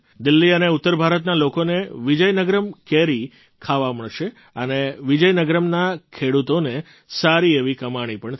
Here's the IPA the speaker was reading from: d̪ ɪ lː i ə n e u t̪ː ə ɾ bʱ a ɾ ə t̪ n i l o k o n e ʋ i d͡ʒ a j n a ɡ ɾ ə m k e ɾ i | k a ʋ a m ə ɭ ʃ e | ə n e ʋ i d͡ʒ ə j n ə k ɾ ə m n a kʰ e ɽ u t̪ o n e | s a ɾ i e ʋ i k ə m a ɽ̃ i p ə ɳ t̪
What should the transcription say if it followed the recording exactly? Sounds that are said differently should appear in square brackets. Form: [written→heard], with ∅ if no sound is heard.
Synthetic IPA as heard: d̪ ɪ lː i ə n e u t̪ː ə ɾ bʱ a ɾ ə t̪ n [i→a] l o k o n e ʋ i d͡ʒ [a→ə] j n [a→ə] ɡ ɾ ə m k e ɾ i | [k→kʰ] a ʋ a m ə ɭ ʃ e | ə n e ʋ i d͡ʒ ə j n ə [k→ɡ] ɾ ə m n a kʰ e ɽ u t̪ o n e | s a ɾ i e ʋ i k ə m a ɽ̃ i p ə ɳ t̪

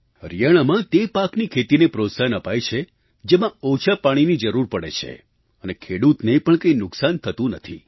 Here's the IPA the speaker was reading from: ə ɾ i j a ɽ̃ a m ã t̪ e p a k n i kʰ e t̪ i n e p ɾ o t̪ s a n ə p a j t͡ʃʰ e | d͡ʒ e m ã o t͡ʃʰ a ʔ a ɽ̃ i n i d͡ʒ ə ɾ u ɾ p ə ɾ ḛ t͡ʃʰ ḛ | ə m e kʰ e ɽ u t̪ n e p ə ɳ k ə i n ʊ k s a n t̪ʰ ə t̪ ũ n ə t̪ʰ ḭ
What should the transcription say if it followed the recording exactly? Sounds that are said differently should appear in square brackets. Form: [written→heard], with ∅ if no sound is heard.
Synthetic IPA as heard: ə ɾ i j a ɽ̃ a m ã t̪ e p a k n i kʰ e t̪ i n e p ɾ o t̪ s a n ə p a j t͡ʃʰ e | d͡ʒ e m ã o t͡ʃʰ a [ʔ→p] a ɽ̃ i n i d͡ʒ ə ɾ u ɾ p ə [ɾ→ɽ] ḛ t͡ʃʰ ḛ | ə [m→n] e kʰ e ɽ u t̪ n e p ə ɳ k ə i n ʊ k s a n t̪ʰ ə t̪ ũ n ə t̪ʰ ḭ

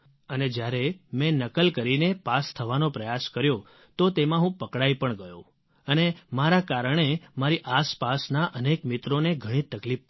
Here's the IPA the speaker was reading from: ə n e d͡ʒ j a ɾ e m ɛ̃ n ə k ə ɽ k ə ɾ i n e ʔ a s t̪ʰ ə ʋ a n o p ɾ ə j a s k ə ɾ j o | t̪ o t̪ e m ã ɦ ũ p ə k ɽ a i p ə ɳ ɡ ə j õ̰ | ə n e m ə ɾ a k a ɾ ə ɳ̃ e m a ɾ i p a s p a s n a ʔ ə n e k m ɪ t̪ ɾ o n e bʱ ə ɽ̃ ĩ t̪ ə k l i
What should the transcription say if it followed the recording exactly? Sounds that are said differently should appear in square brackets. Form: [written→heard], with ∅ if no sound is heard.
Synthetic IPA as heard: ə n e d͡ʒ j a ɾ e m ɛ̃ n ə k ə [ɽ→l] k ə ɾ i n e [ʔ→p] a s t̪ʰ ə ʋ a n o p ɾ ə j a s k ə ɾ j o | t̪ o t̪ e m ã ɦ ũ p ə k ɽ a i p ə ɳ ɡ ə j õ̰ | ə n e m [ə→a] ɾ a k a ɾ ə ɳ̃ e m a ɾ i [p→ʔ] a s p a s n a ʔ ə n e k m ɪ t̪ ɾ o n e [bʱ→ɡʱ] ə ɽ̃ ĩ t̪ ə k l i

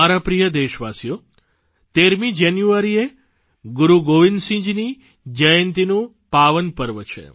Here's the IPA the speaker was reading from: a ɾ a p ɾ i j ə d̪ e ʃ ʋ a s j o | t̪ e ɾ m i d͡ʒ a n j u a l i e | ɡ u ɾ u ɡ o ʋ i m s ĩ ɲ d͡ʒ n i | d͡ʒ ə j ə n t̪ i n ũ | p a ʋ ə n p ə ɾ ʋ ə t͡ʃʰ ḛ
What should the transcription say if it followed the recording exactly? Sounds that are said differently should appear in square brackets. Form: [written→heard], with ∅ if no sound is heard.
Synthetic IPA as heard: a ɾ a p ɾ i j ə d̪ e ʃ ʋ a s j o | t̪ e ɾ m i d͡ʒ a n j u a [l→ɾ] i e | ɡ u ɾ u ɡ o ʋ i [m→n] s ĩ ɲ d͡ʒ n i | d͡ʒ ə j ə n t̪ i n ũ | p a ʋ ə n p ə ɾ ʋ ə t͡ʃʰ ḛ

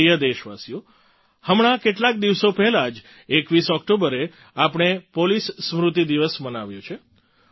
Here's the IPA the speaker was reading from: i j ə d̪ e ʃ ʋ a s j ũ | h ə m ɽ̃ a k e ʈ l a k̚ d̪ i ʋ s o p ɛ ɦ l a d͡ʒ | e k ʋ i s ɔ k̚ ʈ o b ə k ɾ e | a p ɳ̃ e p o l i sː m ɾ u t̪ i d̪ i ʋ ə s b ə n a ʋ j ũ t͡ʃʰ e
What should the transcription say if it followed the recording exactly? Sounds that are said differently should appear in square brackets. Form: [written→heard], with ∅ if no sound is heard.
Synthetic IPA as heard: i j ə d̪ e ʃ ʋ a s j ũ | h ə m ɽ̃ a k e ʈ l a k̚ d̪ i ʋ s o p ɛ ɦ l a d͡ʒ | e k ʋ i s ɔ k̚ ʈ o b ə [k→∅] ɾ e | a p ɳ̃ e p o l i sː m ɾ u t̪ i d̪ i ʋ ə s [b→m] ə n a ʋ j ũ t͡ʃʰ e

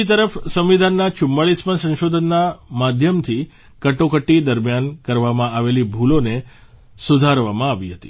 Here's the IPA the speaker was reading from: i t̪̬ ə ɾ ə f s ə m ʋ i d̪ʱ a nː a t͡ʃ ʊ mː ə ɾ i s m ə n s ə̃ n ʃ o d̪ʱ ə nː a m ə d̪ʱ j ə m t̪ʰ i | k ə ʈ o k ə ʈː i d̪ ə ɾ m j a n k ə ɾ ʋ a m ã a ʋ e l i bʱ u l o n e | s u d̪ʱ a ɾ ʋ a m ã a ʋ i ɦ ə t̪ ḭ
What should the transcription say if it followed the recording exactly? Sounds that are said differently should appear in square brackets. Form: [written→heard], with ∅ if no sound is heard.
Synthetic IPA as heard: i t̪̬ ə ɾ ə f s ə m ʋ i d̪ʱ a nː a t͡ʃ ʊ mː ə [ɾ→ɭ] i s m ə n s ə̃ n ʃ o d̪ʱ ə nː a m [ə→a] d̪ʱ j ə m t̪ʰ i | k ə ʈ o k ə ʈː i d̪ ə ɾ m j a n k ə ɾ ʋ a m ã a ʋ e l i bʱ u l o n e | s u d̪ʱ a ɾ ʋ a m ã a ʋ i ɦ ə t̪ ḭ

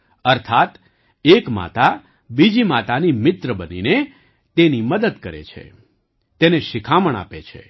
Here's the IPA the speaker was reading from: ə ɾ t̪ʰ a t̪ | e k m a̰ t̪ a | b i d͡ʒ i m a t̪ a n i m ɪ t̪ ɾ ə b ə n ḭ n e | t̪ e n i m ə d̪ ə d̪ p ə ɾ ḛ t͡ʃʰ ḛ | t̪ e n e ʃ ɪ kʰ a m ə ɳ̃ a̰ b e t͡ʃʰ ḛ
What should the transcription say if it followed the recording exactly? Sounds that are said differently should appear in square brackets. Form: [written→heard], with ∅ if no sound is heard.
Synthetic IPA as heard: ə ɾ t̪ʰ a t̪ | e k m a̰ t̪ a | b i d͡ʒ i m a t̪ a n i m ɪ t̪ ɾ ə b ə n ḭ n e | t̪ e n i m ə d̪ ə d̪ [p→k] ə ɾ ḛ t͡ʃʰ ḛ | t̪ e n e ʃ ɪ kʰ a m ə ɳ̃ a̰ [b→p] e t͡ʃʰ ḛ

